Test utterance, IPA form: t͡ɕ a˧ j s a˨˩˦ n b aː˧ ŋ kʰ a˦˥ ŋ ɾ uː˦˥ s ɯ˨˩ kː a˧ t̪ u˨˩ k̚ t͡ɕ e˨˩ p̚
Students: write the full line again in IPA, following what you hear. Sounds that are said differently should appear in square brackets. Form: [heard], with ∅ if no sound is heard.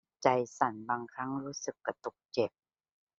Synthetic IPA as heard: t͡ɕ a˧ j s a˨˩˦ n b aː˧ ŋ kʰ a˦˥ ŋ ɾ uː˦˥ s ɯ˨˩ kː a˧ t̪ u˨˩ k̚ t͡ɕ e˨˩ p̚